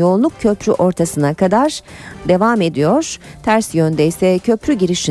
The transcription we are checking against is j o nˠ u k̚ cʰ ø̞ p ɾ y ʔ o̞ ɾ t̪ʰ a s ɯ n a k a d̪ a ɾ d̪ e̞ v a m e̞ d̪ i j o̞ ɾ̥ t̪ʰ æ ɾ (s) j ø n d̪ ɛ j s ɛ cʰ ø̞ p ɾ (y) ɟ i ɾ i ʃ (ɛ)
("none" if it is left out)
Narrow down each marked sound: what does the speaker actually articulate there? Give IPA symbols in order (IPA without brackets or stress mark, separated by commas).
s, y, i